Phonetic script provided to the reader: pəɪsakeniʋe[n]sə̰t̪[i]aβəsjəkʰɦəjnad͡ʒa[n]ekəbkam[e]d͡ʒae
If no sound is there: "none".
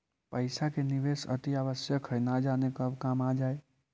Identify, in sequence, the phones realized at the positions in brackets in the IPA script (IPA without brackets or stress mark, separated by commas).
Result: none, i, n, a